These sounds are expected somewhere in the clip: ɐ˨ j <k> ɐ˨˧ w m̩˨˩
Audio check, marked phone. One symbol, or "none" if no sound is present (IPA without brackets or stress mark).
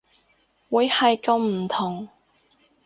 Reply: k